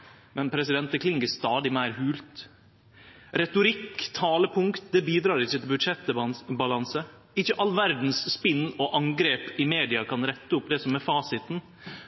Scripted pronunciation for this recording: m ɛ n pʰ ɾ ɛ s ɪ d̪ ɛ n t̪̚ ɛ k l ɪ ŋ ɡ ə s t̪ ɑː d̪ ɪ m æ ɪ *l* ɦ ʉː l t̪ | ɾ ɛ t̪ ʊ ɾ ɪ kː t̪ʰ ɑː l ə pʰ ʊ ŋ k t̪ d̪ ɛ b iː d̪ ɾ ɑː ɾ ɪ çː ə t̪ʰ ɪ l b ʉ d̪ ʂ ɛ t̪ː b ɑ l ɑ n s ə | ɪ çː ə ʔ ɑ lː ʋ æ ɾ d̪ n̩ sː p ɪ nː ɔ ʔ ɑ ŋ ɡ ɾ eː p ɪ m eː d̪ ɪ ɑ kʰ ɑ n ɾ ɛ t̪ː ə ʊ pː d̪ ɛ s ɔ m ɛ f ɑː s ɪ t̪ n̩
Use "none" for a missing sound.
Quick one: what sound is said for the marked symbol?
ɾ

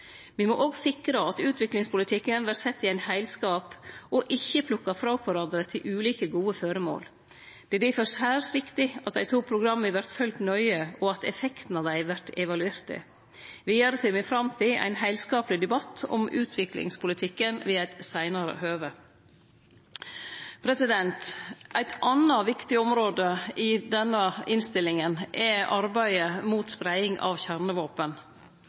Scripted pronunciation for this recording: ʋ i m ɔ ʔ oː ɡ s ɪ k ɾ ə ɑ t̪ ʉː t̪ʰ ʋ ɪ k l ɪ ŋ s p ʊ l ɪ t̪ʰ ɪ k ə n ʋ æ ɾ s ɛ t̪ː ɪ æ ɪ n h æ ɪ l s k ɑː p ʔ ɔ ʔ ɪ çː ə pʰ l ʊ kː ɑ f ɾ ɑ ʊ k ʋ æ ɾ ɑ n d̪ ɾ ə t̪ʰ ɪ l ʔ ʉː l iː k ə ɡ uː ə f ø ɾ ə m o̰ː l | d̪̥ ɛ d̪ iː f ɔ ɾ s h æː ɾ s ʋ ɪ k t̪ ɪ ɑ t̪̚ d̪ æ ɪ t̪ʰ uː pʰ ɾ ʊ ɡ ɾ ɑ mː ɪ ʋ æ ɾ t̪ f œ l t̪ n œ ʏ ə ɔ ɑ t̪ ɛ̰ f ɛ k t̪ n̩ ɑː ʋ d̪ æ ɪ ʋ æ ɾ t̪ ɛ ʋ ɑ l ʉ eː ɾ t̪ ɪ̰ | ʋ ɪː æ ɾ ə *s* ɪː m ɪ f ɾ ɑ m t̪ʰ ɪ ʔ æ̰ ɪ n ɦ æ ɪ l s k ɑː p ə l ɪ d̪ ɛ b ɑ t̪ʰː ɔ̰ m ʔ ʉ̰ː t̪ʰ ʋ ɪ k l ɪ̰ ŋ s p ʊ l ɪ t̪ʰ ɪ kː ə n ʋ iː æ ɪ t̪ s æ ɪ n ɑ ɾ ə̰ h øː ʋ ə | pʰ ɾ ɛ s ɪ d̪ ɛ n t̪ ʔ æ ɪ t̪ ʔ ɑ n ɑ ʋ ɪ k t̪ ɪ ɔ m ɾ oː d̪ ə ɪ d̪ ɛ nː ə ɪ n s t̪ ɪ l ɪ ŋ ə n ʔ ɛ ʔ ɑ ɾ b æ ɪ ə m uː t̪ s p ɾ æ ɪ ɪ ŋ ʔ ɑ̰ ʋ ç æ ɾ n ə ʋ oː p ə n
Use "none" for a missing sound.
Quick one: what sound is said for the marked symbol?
s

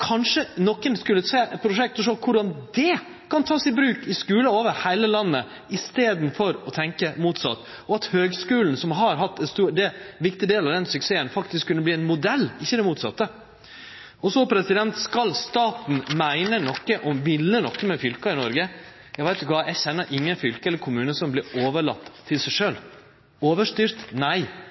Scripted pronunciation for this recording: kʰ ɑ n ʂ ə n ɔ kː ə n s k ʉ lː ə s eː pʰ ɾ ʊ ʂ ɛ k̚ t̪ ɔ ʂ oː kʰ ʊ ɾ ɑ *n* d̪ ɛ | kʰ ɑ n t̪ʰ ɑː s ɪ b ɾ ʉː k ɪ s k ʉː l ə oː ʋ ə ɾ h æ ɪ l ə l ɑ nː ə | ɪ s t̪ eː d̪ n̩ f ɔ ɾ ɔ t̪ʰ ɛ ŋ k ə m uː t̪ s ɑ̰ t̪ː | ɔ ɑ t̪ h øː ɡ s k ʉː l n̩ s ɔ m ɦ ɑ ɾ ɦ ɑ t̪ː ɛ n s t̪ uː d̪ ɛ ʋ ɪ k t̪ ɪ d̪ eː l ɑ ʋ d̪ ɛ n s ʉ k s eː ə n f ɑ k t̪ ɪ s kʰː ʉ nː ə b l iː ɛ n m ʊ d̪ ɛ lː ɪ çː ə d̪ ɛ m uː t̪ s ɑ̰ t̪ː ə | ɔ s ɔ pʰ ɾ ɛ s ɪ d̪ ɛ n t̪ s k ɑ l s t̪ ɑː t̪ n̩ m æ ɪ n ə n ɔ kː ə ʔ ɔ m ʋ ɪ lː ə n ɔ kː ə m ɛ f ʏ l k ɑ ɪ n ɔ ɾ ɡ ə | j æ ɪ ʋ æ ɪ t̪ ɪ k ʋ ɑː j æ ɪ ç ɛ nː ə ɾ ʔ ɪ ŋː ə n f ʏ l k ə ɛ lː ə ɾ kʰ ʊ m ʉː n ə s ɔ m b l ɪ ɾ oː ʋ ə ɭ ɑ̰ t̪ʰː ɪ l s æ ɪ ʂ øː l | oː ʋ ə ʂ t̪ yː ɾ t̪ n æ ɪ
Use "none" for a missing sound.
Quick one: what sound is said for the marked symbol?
n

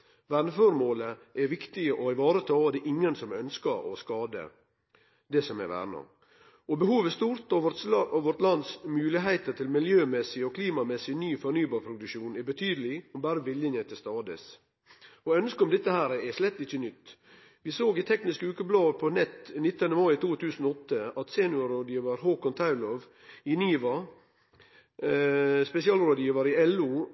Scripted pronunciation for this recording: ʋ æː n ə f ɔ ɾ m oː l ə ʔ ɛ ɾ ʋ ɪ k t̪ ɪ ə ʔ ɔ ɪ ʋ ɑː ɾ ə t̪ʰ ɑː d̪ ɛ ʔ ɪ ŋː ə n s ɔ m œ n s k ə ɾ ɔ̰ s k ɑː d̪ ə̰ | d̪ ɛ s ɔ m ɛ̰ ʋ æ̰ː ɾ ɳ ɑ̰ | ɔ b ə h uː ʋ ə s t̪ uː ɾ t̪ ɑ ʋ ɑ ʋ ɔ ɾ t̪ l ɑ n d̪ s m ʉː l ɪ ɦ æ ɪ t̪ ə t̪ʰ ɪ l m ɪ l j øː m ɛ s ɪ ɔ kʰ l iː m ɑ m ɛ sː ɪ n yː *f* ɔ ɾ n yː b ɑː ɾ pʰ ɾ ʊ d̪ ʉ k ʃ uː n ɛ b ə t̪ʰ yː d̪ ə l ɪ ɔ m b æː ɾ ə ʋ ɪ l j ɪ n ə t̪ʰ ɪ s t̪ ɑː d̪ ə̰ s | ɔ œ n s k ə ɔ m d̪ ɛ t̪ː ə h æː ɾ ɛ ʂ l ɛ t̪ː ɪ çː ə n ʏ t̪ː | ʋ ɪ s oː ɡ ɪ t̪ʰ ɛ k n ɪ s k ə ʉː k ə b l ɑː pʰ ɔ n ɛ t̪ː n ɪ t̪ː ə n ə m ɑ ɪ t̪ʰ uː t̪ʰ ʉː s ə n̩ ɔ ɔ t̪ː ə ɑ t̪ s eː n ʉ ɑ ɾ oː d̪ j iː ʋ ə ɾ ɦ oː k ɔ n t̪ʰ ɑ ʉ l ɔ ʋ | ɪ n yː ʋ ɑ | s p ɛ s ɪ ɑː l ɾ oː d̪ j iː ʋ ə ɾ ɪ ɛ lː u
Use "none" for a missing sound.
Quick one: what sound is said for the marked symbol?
f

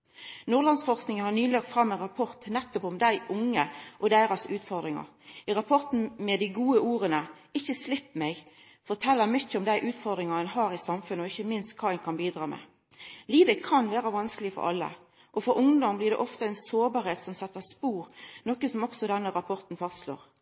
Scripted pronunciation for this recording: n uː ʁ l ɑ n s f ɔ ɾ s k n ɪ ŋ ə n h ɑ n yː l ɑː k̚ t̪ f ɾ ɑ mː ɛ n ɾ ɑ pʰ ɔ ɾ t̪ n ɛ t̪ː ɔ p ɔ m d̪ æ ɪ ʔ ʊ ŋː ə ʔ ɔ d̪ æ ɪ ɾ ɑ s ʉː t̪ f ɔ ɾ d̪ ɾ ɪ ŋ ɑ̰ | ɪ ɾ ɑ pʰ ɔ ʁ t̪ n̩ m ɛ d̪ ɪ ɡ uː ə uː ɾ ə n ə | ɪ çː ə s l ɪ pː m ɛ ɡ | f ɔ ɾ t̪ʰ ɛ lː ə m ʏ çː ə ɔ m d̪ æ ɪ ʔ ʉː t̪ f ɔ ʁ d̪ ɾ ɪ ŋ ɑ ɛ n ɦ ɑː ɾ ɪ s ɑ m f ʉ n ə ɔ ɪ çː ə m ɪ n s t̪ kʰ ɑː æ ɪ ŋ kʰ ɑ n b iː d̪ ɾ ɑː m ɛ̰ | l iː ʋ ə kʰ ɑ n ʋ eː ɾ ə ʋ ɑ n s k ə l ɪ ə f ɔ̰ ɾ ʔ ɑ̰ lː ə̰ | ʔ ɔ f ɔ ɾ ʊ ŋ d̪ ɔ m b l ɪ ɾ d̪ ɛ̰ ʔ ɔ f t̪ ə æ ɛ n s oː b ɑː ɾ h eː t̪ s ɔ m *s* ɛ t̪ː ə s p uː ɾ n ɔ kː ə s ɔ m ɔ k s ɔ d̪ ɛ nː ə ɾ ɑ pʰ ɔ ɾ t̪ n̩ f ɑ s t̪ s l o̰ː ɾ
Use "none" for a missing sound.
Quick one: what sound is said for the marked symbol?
s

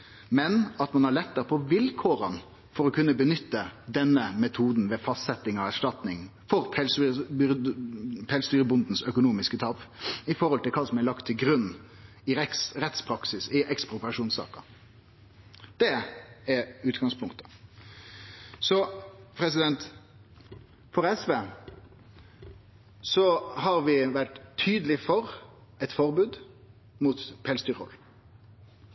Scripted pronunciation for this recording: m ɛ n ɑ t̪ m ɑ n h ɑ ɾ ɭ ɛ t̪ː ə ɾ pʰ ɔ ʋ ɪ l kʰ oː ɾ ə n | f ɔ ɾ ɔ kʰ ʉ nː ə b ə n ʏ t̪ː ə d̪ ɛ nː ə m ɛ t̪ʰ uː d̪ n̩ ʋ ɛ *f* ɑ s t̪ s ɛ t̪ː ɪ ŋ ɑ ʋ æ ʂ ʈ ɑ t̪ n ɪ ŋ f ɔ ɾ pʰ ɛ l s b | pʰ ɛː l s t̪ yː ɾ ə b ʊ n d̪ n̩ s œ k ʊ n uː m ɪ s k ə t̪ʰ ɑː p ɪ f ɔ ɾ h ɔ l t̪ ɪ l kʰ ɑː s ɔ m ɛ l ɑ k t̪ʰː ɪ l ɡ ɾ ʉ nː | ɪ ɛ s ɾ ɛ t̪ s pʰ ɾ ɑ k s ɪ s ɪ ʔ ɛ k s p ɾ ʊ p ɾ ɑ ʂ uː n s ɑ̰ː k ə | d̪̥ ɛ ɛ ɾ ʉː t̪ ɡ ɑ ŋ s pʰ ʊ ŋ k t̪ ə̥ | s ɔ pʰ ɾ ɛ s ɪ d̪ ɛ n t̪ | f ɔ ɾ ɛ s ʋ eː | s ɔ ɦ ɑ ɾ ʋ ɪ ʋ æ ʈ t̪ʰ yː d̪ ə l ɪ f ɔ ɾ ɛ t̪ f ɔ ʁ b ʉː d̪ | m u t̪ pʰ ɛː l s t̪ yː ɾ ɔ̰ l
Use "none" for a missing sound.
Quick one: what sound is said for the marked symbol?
f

